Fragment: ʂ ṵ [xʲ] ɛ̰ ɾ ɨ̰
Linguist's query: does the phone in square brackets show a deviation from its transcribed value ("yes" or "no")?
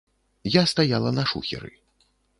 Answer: no